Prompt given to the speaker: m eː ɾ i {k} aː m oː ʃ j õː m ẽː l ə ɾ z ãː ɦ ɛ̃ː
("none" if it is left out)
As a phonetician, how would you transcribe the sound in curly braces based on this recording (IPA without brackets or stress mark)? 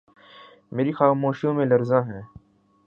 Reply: x